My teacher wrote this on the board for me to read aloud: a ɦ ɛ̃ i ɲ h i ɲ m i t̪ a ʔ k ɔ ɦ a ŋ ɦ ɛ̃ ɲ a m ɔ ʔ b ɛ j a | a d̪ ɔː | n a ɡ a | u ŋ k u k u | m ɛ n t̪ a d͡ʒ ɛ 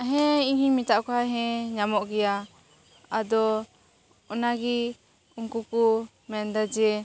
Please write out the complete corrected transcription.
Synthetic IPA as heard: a ɦ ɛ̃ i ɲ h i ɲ m i t̪ a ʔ k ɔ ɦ a ɦ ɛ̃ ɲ a m ɔ ʔ ɡ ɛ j a | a d̪ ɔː | n a ɡ i | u ŋ k u k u | m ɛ n d̪ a d͡ʒ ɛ